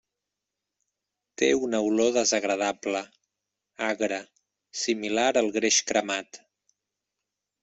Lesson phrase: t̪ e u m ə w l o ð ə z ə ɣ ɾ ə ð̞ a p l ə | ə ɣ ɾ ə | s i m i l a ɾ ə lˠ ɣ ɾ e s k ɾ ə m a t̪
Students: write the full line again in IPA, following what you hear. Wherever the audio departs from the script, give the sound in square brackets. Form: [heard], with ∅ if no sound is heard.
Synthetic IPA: t̪ e u [n] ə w l o ð ə z ə ɣ ɾ ə ð̞ a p l ə | [a] ɣ ɾ ə | s i m i l a ɾ ə lˠ ɣ ɾ e [ʃ] k ɾ ə m a t̪